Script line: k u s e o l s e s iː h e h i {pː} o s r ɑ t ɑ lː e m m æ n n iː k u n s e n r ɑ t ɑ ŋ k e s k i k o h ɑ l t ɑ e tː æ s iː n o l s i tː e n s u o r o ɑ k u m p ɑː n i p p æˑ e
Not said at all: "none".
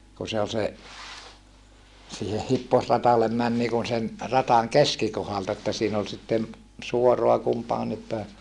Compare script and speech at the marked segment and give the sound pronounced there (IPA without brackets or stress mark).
pː